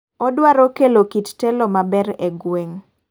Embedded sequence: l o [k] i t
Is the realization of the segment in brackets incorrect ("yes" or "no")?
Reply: no